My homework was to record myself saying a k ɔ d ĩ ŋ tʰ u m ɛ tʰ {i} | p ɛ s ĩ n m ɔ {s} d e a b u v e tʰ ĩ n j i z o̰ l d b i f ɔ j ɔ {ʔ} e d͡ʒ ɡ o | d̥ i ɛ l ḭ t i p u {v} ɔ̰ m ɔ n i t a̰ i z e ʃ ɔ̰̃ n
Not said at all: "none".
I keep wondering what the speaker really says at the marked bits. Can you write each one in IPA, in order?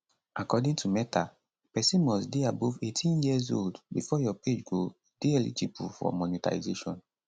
a, s, p, f

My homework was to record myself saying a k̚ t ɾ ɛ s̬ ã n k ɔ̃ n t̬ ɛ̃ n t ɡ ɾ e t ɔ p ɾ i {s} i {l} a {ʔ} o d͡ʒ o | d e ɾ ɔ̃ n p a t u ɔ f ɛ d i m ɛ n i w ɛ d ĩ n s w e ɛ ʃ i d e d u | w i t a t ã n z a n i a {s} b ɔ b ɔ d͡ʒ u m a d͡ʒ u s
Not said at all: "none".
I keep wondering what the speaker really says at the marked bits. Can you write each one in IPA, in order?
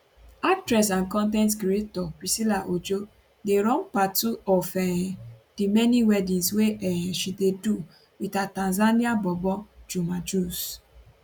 s, l, ʔ, none

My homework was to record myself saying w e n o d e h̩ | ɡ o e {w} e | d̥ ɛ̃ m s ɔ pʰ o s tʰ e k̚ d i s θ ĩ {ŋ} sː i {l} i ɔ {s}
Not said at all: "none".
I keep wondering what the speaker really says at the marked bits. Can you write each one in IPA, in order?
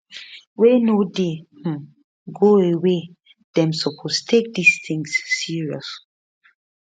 w, ŋ, ɹ, s

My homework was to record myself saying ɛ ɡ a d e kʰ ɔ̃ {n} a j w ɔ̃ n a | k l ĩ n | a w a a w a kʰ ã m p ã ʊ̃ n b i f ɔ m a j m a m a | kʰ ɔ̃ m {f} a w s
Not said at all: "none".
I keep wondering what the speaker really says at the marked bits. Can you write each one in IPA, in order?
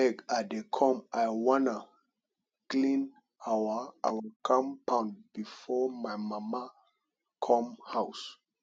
m, h

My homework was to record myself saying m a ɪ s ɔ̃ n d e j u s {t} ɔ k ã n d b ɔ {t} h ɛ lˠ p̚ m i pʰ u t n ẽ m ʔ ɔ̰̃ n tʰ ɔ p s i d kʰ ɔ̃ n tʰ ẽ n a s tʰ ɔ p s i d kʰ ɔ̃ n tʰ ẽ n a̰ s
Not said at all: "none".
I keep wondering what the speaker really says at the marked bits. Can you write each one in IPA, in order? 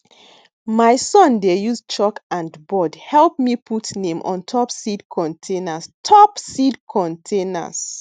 t͡ʃ, d

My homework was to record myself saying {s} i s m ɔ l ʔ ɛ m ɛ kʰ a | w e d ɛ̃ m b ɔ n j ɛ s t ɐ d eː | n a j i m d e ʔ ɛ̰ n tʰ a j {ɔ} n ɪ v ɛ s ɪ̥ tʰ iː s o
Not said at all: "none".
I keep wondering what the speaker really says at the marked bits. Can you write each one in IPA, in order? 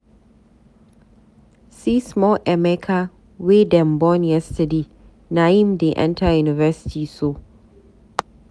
s, u

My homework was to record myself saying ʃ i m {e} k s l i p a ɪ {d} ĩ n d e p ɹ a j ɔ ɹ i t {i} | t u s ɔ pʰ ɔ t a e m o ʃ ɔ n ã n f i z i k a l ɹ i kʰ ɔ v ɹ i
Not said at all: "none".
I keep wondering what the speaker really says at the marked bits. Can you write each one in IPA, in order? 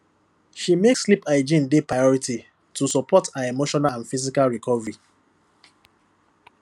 e, d͡ʒ, i

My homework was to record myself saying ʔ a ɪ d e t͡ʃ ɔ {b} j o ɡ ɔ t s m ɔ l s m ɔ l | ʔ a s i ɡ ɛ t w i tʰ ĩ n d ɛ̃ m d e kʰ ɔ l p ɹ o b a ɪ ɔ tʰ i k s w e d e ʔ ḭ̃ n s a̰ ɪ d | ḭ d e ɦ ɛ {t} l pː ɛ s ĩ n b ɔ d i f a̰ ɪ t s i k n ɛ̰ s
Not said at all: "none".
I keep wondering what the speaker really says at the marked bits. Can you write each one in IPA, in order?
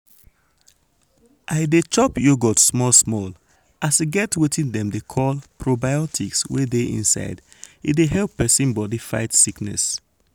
p, none

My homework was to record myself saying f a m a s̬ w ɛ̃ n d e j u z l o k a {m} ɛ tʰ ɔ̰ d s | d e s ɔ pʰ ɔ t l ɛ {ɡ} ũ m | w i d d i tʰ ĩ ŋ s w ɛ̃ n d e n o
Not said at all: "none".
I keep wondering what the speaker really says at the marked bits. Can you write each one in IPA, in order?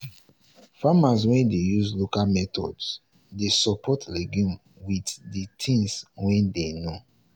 m, ɡ

